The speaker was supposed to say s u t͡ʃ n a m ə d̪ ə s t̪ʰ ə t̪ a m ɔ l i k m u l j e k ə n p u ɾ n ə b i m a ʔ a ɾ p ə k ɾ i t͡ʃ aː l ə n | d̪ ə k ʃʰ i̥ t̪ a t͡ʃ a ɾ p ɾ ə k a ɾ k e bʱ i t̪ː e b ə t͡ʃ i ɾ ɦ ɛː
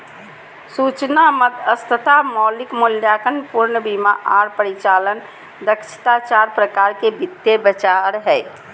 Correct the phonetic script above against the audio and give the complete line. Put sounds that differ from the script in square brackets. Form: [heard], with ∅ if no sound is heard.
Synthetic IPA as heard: s u t͡ʃ n a m ə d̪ ə s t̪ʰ ə t̪ a m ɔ l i k m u l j [a] k ə n p u ɾ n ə b i m a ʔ a ɾ p ə [∅] ɾ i t͡ʃ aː l ə n | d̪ ə k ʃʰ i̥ t̪ a t͡ʃ a ɾ p ɾ ə k a ɾ k e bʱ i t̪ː e b ə t͡ʃ [a] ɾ ɦ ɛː